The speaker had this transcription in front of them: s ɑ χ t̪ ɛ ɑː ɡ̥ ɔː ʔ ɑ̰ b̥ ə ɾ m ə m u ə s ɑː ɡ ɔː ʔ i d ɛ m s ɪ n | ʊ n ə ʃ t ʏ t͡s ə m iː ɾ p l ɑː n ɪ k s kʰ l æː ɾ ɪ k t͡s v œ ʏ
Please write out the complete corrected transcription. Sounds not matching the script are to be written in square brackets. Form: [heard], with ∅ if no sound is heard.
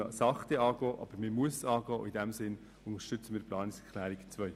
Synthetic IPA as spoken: s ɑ χ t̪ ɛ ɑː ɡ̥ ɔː ʔ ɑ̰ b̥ ə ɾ m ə m u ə s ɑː ɡ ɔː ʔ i d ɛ m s ɪ n | ʊ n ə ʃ t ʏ t͡s ə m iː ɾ p l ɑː n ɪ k s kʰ l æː ɾ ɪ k t͡s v œ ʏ